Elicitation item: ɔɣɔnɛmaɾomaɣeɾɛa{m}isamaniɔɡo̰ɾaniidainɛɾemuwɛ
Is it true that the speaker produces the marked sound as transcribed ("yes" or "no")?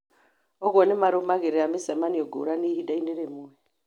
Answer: yes